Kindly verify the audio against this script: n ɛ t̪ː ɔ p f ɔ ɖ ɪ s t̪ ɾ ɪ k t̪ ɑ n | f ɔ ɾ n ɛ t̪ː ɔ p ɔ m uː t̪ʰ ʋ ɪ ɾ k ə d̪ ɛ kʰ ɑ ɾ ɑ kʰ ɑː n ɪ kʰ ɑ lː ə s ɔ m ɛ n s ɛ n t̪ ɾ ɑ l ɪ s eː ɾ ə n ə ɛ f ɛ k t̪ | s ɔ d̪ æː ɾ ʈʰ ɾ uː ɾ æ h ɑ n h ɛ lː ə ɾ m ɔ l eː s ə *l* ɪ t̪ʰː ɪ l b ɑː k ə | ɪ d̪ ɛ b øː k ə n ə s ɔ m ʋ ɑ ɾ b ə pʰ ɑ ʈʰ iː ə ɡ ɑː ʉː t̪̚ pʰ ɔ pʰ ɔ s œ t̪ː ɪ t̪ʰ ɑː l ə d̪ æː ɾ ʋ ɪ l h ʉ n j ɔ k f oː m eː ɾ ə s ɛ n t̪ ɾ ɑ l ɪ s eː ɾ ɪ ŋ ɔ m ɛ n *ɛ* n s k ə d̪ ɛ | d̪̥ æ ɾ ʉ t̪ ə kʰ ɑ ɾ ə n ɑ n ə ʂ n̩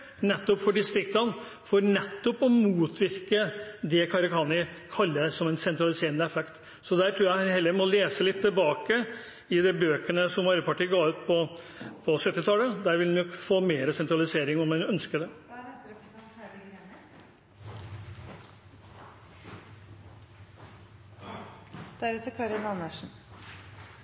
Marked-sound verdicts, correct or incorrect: correct, incorrect

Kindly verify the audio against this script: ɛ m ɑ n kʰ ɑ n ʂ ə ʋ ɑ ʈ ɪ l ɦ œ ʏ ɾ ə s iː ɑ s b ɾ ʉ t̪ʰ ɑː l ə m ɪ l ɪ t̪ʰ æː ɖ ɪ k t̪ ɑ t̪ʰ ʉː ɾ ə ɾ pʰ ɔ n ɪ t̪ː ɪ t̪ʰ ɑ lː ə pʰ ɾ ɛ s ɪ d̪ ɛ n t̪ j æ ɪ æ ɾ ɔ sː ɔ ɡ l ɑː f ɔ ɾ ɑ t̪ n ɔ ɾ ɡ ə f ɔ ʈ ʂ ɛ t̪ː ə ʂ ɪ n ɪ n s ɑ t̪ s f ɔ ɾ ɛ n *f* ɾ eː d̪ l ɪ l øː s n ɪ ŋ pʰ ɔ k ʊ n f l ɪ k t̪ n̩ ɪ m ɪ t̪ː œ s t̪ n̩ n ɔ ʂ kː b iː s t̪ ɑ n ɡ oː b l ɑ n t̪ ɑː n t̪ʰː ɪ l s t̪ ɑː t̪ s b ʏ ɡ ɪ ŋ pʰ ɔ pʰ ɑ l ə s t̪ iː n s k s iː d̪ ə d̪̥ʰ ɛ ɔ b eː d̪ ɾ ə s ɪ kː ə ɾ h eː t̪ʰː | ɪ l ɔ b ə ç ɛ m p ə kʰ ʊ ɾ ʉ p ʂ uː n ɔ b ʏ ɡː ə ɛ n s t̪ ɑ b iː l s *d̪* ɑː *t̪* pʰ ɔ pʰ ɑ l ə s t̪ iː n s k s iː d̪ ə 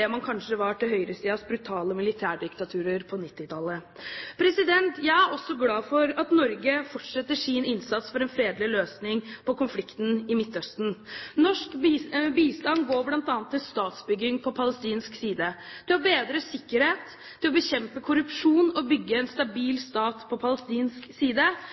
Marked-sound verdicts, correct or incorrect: correct, incorrect, correct

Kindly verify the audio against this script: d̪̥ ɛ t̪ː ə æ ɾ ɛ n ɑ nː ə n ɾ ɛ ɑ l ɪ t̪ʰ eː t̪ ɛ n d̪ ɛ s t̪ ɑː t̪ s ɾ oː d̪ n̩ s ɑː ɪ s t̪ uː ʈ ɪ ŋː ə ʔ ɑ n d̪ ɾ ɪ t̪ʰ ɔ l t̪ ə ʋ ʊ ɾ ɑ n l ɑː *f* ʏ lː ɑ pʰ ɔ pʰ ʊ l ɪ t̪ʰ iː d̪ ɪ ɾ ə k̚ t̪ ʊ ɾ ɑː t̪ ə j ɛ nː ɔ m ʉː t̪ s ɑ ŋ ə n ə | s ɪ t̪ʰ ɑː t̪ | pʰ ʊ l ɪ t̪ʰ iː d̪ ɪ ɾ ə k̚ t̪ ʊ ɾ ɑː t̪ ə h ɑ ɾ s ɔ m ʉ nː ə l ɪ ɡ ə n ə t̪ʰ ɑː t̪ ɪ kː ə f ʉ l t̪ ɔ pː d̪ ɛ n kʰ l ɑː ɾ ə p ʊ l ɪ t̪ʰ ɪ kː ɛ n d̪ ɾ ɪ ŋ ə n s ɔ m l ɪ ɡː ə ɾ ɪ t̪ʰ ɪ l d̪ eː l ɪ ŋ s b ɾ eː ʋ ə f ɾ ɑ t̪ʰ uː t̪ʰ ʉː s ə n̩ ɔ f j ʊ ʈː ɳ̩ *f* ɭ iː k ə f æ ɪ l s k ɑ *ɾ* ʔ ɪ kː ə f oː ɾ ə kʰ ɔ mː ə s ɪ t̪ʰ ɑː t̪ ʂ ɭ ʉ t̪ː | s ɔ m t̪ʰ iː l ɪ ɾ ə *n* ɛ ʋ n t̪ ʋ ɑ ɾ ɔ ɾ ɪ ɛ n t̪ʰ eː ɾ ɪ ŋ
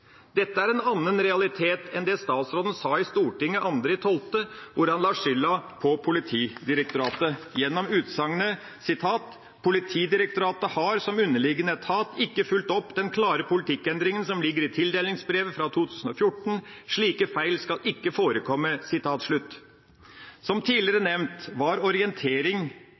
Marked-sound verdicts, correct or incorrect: incorrect, incorrect, incorrect, correct

